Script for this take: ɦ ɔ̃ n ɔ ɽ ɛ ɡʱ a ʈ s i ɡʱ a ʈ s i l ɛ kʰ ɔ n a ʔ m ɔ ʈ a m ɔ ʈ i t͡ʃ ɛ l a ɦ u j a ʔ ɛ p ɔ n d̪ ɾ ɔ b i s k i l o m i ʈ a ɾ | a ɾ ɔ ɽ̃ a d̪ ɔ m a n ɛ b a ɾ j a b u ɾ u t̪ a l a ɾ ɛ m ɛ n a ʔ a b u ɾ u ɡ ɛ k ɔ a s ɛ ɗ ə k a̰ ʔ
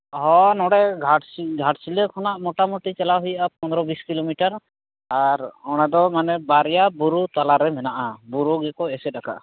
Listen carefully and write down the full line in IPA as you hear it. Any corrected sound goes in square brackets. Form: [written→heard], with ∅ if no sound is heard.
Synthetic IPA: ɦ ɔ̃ n ɔ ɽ ɛ ɡʱ a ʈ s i ɡʱ a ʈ s i l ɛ kʰ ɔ n a ʔ m ɔ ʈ a m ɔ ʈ i t͡ʃ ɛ l a ɦ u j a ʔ [ɛ→a] p ɔ n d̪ ɾ ɔ b i s k i l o m i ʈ a ɾ | a ɾ ɔ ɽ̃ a d̪ ɔ m a n ɛ b a ɾ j a b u ɾ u t̪ a l a ɾ ɛ m ɛ n a ʔ a b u ɾ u ɡ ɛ k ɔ [a→ɛ] s ɛ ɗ [ə→a] k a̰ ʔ